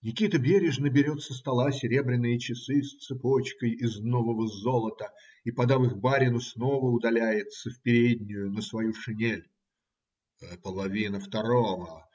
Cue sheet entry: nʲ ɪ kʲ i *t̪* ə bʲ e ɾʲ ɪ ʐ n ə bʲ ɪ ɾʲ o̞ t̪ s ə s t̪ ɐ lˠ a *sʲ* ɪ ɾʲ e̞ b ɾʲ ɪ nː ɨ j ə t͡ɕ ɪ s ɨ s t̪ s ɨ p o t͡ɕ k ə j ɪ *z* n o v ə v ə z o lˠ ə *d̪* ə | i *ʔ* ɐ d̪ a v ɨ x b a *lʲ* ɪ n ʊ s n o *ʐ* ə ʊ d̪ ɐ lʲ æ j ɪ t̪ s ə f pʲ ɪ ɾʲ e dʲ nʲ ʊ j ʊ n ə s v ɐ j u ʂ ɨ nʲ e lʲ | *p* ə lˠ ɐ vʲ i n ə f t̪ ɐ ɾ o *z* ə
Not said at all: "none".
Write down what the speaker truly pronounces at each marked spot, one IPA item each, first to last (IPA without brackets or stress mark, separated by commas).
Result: t̪, sʲ, z, t̪, p, ɾʲ, v, p, v